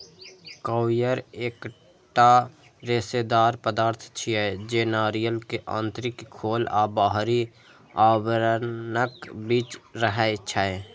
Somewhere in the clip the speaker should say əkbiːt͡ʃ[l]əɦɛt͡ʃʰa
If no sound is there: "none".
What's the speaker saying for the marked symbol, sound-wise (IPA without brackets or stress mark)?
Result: ɾ